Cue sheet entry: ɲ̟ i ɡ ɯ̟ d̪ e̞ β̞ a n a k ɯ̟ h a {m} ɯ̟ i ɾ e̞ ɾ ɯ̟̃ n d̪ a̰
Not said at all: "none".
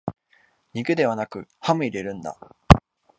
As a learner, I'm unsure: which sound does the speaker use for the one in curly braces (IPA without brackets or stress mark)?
m